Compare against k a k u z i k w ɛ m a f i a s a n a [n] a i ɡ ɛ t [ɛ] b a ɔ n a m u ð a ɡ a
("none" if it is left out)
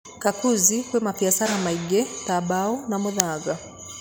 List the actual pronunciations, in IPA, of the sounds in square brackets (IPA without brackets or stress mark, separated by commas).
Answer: m, a